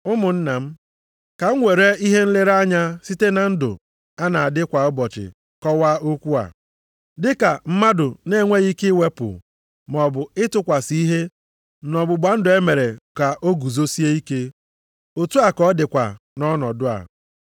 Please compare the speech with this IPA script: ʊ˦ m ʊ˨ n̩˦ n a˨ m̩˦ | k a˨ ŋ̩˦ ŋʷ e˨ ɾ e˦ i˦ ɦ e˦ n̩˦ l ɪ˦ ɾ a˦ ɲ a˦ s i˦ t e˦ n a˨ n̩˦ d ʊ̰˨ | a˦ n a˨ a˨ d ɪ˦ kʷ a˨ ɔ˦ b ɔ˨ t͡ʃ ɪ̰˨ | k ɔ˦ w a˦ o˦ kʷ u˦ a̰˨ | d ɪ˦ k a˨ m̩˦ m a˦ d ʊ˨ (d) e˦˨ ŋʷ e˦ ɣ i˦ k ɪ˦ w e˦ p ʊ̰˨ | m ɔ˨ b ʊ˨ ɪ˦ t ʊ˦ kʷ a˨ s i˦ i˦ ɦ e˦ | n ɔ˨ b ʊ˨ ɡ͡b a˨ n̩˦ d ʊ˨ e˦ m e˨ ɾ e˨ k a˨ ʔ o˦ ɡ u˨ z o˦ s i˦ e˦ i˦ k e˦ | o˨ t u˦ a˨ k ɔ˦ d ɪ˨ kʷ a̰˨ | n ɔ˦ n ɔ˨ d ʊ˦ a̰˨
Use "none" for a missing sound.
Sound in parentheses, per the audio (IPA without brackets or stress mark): n